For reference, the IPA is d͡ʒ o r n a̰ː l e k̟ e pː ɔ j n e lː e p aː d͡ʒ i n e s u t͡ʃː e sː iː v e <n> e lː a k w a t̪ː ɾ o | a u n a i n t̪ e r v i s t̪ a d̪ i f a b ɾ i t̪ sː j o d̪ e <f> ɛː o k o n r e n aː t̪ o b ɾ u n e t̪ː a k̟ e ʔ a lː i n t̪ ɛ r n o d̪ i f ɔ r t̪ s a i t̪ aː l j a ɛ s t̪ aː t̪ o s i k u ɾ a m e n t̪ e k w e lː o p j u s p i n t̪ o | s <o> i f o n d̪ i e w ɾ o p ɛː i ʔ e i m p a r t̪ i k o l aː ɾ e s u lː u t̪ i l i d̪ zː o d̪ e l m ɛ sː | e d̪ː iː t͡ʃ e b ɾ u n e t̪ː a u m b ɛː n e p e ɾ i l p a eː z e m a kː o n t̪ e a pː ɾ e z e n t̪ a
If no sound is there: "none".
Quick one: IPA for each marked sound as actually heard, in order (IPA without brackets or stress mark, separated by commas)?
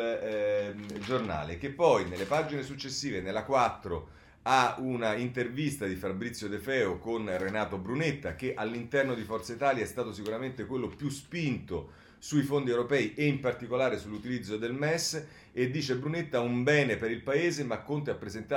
n, f, u